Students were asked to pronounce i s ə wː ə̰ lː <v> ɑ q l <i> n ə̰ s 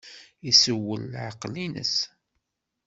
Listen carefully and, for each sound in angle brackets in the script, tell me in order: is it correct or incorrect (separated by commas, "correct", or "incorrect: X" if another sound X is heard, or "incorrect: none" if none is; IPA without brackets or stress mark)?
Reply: incorrect: ʕ, correct